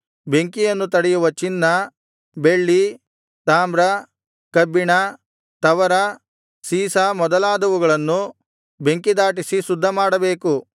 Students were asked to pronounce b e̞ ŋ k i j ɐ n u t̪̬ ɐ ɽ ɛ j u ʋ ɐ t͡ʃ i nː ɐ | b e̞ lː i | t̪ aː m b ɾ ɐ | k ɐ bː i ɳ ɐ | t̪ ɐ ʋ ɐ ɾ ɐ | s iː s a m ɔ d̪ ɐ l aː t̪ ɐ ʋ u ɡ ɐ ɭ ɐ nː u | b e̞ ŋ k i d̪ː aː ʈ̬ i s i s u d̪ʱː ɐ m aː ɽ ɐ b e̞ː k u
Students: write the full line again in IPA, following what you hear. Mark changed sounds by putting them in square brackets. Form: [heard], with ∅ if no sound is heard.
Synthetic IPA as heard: b e̞ ŋ k i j ɐ [nː] u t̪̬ ɐ ɽ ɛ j u ʋ ɐ t͡ʃ i nː ɐ | b e̞ [ɭː] i | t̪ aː m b ɾ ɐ | k ɐ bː i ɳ ɐ | t̪ ɐ ʋ ɐ ɾ ɐ | s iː s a m ɔ d̪ ɐ l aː [d̪] ɐ ʋ u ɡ ɐ ɭ ɐ nː u | b e̞ ŋ k i [d̪] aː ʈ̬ i s i s u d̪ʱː ɐ m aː ɽ ɐ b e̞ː k u